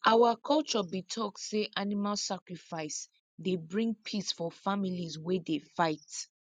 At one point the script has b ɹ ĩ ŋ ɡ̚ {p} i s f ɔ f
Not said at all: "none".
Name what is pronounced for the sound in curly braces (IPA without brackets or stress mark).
pʰ